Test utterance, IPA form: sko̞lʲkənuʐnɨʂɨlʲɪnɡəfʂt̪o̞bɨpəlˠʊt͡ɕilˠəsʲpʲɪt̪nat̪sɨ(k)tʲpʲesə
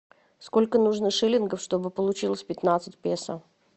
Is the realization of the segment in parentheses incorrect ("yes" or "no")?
yes